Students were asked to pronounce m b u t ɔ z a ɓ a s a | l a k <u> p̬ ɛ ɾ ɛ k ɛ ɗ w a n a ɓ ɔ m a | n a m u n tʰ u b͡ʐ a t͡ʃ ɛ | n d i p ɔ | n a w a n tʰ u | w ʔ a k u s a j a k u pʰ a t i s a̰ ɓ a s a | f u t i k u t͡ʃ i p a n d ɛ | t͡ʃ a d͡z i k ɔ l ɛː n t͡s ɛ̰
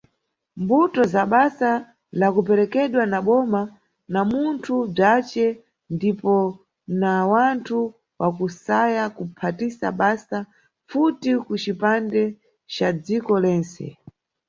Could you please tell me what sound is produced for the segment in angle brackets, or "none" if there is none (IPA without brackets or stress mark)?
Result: u